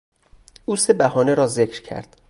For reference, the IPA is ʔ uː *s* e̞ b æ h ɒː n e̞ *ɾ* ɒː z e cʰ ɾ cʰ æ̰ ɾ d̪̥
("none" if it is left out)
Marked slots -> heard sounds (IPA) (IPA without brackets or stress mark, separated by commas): s, ɾ